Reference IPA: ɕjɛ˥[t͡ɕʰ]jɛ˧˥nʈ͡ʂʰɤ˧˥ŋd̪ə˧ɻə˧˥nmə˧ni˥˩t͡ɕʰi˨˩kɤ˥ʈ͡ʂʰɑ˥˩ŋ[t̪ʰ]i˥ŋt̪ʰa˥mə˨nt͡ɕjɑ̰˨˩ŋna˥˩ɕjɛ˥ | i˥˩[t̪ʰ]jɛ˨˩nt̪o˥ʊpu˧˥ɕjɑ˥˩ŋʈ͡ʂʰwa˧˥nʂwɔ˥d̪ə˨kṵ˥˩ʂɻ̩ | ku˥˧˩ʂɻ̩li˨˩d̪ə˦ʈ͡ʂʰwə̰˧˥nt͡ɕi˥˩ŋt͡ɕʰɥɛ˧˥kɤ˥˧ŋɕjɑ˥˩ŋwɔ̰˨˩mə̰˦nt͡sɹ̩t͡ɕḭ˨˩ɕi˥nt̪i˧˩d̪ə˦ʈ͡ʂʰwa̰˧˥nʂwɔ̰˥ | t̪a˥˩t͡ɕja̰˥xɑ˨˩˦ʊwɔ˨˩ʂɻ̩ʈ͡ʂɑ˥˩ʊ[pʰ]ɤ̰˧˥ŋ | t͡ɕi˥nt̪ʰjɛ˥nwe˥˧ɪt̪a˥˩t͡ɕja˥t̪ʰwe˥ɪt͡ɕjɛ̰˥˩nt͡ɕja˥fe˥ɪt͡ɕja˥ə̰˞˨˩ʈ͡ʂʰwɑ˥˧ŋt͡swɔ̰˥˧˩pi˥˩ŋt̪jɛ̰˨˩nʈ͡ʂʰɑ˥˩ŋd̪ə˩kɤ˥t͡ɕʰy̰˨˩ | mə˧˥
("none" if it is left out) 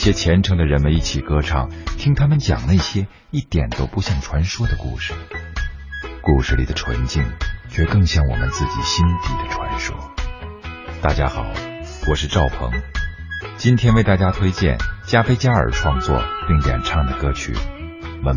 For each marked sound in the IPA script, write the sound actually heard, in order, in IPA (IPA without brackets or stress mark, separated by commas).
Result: t͡ɕʰ, t̪ʰ, t̪, pʰ